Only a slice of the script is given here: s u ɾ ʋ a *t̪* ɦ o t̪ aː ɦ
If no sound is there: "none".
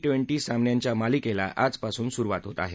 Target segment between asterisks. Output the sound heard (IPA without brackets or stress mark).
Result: t̪